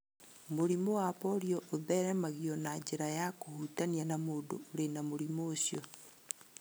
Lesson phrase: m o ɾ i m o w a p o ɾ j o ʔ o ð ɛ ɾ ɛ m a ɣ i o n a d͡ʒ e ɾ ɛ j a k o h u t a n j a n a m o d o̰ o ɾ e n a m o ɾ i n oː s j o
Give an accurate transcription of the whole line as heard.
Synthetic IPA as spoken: m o ɾ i m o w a p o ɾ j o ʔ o ð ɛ ɾ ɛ m a ɣ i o n a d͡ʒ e ɾ a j a k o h u t a n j a n a m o d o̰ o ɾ e n a m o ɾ i m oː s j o